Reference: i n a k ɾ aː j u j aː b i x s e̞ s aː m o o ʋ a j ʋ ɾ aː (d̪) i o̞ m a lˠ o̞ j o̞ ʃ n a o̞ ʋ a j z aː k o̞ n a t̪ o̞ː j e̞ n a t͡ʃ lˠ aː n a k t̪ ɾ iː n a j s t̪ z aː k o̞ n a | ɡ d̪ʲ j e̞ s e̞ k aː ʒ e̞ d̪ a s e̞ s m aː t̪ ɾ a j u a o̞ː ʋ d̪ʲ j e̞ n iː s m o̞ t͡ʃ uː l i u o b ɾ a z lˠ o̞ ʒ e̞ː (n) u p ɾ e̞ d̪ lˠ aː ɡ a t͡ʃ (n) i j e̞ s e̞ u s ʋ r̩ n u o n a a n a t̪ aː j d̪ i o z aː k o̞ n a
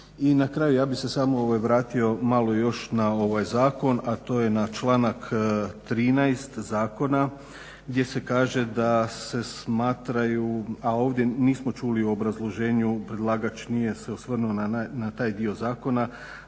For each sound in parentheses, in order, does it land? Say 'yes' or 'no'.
no, no, yes

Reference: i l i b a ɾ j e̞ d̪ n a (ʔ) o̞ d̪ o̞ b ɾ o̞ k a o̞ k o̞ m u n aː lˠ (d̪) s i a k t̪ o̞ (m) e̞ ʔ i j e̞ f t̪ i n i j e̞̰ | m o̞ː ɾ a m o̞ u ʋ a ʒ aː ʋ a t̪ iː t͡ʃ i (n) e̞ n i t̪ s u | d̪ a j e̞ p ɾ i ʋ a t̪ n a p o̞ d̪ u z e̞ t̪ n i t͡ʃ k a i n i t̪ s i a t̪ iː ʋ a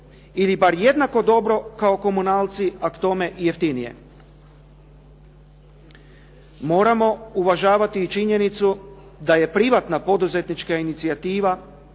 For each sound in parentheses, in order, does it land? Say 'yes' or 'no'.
no, no, yes, no

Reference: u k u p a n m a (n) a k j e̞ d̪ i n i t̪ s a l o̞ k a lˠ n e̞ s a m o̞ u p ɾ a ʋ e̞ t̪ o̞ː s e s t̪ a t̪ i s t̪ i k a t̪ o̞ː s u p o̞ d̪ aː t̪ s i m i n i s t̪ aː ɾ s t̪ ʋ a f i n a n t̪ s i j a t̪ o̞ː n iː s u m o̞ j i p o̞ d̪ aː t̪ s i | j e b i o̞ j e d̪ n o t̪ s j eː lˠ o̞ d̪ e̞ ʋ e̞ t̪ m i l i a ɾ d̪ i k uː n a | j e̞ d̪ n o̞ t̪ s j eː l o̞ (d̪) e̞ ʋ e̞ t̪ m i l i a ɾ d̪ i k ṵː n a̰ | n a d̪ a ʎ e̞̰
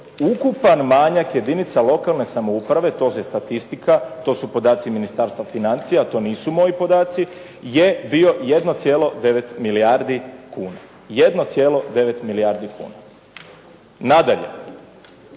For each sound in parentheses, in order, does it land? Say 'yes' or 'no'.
no, yes

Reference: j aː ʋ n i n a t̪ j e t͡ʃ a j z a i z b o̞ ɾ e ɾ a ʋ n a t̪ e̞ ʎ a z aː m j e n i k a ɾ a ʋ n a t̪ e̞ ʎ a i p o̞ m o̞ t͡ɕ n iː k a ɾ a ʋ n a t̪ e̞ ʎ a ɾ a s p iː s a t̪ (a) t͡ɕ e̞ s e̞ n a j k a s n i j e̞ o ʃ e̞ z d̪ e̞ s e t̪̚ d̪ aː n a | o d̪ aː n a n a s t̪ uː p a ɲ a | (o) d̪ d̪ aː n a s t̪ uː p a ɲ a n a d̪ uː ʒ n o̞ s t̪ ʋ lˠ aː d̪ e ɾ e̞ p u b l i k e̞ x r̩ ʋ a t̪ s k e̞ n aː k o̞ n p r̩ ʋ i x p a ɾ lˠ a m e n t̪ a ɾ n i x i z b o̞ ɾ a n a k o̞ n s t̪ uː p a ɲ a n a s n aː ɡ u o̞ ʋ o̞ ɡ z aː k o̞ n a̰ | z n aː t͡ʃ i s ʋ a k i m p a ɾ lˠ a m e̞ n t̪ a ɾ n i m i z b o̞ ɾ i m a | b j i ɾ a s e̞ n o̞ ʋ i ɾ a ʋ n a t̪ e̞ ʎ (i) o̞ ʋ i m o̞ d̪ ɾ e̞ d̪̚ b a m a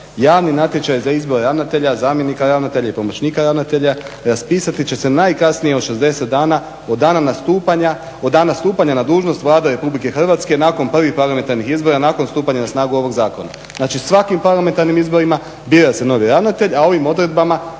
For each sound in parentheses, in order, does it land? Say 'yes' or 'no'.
no, yes, no

